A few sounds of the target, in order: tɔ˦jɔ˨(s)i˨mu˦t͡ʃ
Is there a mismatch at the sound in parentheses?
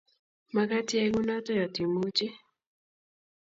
yes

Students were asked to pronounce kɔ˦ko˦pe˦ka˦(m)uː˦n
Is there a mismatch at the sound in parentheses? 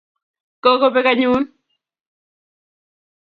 yes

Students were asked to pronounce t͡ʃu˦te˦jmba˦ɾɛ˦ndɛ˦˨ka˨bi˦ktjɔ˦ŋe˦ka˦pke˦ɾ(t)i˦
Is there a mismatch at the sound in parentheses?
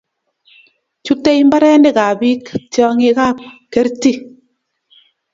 no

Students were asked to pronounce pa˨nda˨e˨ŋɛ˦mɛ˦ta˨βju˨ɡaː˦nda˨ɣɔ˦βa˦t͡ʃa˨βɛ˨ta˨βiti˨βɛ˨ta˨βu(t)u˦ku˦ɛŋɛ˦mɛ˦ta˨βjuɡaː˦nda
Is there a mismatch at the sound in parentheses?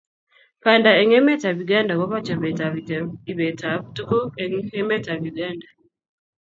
no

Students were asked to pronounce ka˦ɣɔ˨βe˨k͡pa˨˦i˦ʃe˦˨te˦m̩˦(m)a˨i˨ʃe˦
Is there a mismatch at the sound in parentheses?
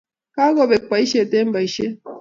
yes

